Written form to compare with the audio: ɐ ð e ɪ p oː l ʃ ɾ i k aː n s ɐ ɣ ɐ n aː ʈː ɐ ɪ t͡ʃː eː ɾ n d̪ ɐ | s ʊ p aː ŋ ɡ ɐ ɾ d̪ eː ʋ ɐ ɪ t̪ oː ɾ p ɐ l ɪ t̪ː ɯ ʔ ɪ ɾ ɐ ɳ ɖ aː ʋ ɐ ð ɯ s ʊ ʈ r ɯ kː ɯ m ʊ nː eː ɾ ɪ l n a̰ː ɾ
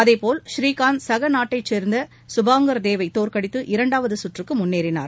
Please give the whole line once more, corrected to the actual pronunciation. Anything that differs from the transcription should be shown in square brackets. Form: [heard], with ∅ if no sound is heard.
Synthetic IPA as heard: ɐ ð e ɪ p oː l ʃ ɾ [iː] k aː n s ɐ ɣ ɐ n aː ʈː ɐ ɪ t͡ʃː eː ɾ n d̪ ɐ | s ʊ [b] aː ŋ ɡ ɐ ɾ d̪ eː ʋ ɐ ɪ t̪ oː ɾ [k] ɐ [ɽ] ɪ t̪ː ɯ ʔ ɪ ɾ ɐ ɳ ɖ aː ʋ ɐ ð ɯ s ʊ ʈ r ɯ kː ɯ m ʊ nː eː ɾ ɪ [∅] n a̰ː ɾ